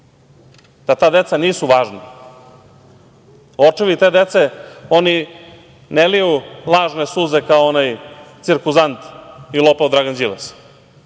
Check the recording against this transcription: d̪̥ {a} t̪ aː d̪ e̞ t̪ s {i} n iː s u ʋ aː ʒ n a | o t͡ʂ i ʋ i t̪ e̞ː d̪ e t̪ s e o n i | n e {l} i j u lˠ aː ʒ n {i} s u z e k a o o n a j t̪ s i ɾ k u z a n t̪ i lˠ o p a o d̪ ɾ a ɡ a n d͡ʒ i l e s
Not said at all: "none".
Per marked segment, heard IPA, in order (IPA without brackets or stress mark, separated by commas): a, a, l, e